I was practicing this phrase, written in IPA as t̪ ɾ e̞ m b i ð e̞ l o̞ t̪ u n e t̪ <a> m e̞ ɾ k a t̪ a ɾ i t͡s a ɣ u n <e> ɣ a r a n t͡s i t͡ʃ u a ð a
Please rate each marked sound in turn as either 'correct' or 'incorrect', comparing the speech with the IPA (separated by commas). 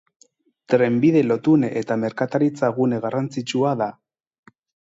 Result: correct, correct